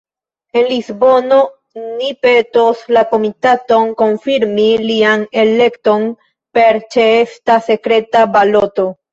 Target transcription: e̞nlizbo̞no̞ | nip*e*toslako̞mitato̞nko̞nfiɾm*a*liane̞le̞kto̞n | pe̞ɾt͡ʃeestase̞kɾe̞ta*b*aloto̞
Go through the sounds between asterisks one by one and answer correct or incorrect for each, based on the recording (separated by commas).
correct, incorrect, correct